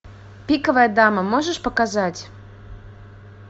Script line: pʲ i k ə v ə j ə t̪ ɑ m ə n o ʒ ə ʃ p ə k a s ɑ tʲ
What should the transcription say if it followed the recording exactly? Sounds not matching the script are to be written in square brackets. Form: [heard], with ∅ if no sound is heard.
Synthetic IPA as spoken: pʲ i k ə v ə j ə [d̪] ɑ m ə [m] o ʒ ə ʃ p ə k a [z] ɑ tʲ

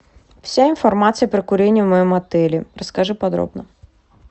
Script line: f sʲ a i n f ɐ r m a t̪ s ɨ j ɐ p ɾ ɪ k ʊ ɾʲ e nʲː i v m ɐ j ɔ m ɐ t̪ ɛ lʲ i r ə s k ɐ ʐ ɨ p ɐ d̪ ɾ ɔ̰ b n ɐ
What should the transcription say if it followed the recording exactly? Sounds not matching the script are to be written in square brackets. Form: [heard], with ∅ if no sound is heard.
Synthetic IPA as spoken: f sʲ a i n f ɐ r m a t̪ s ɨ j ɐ p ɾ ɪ k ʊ ɾʲ e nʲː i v m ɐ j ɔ m ɐ t̪ ɛ lʲ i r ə s k ɐ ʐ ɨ p ɐ d̪ ɾ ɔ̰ b n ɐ

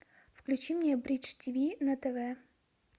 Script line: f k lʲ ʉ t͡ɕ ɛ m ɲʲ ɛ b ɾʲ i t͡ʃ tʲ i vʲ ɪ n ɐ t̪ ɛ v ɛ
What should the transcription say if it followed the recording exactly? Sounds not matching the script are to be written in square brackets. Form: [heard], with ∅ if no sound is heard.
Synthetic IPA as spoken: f k lʲ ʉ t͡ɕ [i] m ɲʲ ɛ b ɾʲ i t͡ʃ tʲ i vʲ [i] n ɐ t̪ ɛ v ɛ

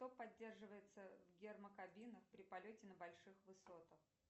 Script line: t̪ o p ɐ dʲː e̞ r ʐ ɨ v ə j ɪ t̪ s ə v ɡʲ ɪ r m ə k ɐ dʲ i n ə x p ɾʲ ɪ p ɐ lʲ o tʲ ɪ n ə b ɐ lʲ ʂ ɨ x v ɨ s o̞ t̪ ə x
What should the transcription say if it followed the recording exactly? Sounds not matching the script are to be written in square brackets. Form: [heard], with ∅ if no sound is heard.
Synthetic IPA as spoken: t̪ o p ɐ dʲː e̞ r ʐ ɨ v ə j ɪ t̪ s ə v ɡʲ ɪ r m ə k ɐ [bʲ] i n ə x p ɾʲ ɪ p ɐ lʲ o tʲ ɪ n ə b ɐ lʲ ʂ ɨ x v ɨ s o̞ t̪ ə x

